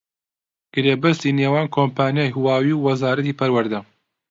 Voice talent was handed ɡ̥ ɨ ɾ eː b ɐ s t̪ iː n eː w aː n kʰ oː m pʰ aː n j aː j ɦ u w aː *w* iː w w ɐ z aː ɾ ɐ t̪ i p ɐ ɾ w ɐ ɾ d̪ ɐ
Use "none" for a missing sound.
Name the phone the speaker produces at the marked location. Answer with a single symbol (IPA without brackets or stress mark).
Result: w